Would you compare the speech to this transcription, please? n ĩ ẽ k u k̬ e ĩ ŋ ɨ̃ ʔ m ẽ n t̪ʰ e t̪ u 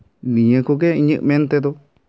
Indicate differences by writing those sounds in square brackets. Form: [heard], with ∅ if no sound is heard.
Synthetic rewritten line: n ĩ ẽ k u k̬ e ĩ [ɲ] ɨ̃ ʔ m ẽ n [t̪] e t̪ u